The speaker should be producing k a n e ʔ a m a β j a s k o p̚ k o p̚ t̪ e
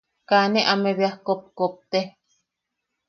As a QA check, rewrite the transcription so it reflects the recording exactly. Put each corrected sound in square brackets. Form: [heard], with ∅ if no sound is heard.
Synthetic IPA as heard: k a n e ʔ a m [e] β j a [h] k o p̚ k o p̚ t̪ e